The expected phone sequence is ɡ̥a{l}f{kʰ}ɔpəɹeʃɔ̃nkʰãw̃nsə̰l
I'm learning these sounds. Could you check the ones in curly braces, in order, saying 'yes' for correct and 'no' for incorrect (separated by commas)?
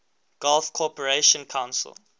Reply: yes, yes